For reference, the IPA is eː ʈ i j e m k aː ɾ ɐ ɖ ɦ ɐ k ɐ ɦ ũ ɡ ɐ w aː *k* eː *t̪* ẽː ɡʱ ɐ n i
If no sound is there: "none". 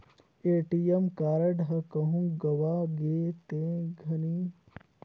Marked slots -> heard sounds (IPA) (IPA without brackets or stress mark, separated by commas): ɡ, t̪